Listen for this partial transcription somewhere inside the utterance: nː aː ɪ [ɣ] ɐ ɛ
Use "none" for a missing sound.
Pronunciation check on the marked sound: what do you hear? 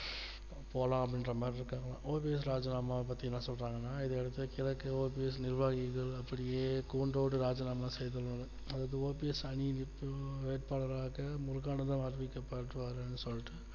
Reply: ð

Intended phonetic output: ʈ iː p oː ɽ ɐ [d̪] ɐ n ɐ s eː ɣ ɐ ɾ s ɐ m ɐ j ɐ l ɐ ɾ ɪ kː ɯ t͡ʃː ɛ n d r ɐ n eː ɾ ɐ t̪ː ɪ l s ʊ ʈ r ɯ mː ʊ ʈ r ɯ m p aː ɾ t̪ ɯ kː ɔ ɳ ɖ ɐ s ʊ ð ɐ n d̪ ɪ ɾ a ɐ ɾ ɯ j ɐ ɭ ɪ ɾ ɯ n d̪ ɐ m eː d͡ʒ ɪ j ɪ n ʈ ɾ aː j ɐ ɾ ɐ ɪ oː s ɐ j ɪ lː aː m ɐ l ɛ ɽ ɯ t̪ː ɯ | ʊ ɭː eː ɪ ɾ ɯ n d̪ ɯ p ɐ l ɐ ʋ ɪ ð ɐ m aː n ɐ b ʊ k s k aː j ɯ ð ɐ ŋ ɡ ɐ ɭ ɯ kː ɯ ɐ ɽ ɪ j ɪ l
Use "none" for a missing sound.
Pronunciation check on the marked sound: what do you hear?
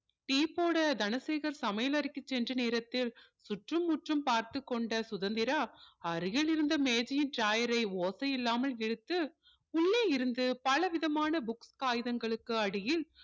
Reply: d̪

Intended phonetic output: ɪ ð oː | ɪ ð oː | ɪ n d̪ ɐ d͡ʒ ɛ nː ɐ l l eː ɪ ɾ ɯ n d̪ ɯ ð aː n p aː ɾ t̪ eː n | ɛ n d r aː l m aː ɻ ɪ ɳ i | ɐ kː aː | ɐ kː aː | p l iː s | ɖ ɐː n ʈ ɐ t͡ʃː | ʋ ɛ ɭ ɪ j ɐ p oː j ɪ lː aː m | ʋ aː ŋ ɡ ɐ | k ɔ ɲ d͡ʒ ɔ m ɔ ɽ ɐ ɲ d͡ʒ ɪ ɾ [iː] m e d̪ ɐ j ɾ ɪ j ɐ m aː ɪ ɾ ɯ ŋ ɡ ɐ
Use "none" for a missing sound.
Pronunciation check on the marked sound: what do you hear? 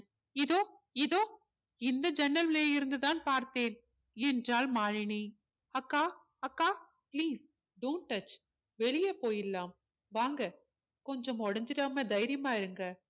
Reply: aː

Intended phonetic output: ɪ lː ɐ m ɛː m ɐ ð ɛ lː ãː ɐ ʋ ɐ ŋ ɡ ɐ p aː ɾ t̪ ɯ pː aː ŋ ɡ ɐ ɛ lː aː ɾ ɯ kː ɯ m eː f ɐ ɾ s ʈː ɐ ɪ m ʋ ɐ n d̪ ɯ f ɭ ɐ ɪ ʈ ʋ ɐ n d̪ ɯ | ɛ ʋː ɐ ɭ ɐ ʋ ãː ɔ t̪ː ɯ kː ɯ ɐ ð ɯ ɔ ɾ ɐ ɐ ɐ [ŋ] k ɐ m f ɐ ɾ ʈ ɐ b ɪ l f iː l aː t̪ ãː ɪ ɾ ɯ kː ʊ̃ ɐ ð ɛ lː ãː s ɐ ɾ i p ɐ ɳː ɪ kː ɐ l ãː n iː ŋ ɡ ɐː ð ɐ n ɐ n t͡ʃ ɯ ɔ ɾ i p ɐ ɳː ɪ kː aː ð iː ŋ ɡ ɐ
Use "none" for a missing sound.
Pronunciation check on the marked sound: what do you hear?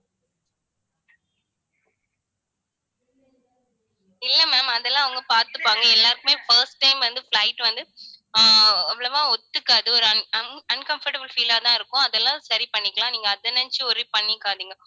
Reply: n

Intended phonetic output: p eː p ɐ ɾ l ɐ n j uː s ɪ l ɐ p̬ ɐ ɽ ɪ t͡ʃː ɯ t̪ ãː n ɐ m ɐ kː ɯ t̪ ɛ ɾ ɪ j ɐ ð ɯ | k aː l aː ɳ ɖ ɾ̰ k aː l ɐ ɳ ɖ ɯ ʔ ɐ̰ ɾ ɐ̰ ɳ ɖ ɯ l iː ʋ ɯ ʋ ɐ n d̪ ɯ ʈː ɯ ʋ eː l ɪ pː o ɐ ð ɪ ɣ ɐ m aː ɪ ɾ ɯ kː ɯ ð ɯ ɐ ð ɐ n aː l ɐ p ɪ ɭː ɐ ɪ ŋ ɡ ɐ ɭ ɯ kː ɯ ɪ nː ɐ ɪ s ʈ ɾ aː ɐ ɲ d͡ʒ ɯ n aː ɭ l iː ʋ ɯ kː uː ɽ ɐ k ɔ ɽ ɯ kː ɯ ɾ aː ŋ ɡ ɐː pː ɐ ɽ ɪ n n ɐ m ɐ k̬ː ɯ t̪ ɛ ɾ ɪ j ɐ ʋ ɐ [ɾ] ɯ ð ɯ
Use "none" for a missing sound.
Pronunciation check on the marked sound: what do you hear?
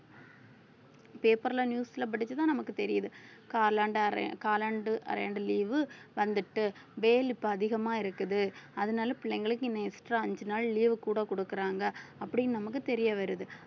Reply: ɾ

